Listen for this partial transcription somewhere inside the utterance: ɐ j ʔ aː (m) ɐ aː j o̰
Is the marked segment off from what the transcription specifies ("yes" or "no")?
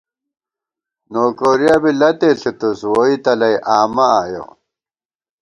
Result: no